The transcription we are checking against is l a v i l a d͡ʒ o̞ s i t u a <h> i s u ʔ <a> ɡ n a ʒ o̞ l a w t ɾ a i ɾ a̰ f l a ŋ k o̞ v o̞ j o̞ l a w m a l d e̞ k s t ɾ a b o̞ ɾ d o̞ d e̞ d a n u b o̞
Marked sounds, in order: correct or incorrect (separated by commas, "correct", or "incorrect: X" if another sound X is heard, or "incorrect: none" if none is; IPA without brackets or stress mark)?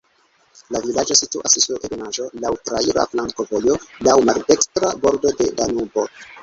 incorrect: s, incorrect: e